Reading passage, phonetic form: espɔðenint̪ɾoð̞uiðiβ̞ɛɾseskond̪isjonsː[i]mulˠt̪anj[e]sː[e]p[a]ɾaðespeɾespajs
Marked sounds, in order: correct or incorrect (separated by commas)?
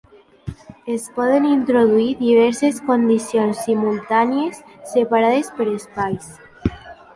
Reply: correct, correct, correct, correct